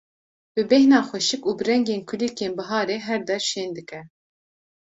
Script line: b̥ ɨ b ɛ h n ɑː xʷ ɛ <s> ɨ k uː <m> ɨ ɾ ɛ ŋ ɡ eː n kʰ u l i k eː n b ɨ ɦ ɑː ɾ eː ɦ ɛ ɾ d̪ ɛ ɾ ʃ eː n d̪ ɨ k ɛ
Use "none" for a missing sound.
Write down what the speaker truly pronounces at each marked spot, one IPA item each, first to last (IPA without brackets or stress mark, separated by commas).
ʃ, b